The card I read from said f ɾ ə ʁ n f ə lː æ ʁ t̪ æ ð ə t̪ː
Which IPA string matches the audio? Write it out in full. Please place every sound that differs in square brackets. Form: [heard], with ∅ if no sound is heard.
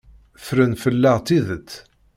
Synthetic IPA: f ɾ ə [∅] n f ə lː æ ʁ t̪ [i] ð ə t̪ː